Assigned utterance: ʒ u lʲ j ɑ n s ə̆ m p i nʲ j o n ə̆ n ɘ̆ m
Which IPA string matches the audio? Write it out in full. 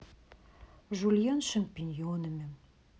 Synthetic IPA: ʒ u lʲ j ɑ n ʃ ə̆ m p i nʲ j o n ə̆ m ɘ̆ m